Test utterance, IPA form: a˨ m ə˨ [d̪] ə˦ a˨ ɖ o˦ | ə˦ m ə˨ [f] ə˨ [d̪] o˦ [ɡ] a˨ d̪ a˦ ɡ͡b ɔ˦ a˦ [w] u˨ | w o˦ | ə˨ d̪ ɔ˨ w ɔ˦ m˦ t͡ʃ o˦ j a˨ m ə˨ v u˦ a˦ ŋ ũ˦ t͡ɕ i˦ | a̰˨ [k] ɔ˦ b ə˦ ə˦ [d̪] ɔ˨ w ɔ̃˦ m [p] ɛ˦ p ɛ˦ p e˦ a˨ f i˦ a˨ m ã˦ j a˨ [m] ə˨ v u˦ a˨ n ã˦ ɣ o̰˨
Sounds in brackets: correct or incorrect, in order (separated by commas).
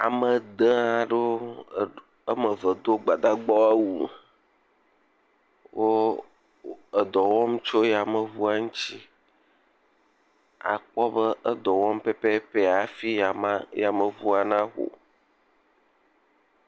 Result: correct, incorrect, correct, incorrect, correct, incorrect, correct, correct, correct